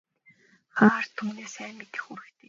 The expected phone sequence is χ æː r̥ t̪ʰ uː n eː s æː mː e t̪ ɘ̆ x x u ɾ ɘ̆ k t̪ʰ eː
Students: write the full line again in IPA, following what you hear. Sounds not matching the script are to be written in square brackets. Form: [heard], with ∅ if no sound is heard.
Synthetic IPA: χ [aː] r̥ t̪ʰ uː n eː s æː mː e t̪ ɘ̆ x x u ɾ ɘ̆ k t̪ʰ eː